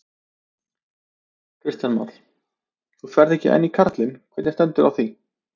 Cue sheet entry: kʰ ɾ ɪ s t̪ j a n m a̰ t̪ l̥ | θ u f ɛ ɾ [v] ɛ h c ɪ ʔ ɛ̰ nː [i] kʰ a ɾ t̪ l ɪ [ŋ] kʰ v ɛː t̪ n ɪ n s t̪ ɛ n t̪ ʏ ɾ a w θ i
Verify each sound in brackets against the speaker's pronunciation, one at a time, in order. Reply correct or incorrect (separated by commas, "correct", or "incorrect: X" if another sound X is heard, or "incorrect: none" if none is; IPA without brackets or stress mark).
incorrect: ð, correct, incorrect: n